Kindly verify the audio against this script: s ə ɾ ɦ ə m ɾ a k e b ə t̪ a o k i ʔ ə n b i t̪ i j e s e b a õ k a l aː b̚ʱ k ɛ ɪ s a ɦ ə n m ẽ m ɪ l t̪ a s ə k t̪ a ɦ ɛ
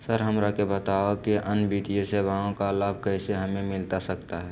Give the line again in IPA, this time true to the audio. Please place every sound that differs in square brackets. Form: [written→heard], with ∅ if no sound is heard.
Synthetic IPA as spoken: s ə ɾ ɦ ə m ɾ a k e b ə t̪ a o k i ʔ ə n b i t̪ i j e s e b a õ k a l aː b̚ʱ k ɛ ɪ s [a→e] ɦ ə [n→∅] m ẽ m ɪ l t̪ a s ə k t̪ a ɦ ɛ